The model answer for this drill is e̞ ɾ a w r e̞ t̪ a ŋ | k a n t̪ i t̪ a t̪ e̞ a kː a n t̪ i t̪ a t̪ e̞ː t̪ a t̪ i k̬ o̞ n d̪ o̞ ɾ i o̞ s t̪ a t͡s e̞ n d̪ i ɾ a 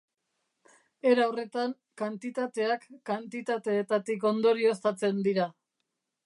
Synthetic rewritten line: e̞ ɾ a w r e̞ t̪ a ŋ | k a n t̪ i t̪ a t̪ e̞ a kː a n t̪ i t̪ a t̪ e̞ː t̪ a t̪ i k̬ o̞ n d̪ o̞ ɾ i o̞ s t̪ a t͡s e̞ n d̪ i ɾ a